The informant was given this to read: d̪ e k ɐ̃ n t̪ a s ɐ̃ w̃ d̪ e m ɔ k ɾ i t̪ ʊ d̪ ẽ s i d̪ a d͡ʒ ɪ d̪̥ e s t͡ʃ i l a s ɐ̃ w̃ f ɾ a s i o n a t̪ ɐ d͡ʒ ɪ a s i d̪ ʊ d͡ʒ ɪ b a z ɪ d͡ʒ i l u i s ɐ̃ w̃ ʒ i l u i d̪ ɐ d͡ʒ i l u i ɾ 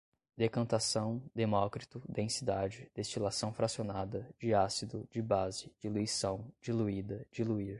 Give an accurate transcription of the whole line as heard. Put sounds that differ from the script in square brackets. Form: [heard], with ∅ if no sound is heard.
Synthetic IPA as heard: d̪ e k ɐ̃ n t̪ a s ɐ̃ w̃ d̪ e m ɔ k ɾ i t̪ ʊ d̪ ẽ s i d̪ a d͡ʒ ɪ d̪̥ e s t͡ʃ i l a s ɐ̃ w̃ f ɾ a s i o n a [d̪] ɐ d͡ʒ ɪ a s i d̪ ʊ d͡ʒ ɪ b a z ɪ d͡ʒ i l u i s ɐ̃ w̃ [d͡ʒ] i l u i d̪ ɐ d͡ʒ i l u i ɾ